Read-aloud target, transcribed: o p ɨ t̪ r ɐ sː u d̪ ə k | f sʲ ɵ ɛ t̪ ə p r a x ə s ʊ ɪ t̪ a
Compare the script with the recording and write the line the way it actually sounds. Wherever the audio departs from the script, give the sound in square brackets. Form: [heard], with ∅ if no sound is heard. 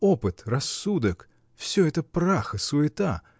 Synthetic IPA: o p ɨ t̪ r ɐ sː u d̪ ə k | f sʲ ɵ ɛ t̪ ə p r a x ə s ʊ ɪ t̪ a